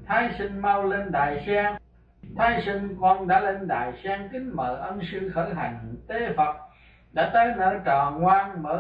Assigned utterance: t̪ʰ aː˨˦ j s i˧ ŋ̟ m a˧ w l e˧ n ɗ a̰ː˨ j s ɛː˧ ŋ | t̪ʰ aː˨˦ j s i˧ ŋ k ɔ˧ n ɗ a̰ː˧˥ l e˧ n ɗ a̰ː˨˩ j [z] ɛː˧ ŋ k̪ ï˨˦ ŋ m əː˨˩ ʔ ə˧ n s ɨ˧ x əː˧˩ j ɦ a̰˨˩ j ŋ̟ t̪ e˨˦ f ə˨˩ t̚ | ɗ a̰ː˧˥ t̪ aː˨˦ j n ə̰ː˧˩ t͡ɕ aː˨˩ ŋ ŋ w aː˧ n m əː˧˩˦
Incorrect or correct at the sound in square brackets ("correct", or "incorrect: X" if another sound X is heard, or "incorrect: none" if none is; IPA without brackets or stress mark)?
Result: incorrect: s